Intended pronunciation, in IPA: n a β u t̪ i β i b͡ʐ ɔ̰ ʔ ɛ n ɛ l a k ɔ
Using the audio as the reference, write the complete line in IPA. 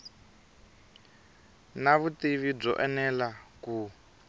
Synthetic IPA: n a β u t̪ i β i b͡ʐ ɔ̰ ʔ ɛ n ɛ l a k u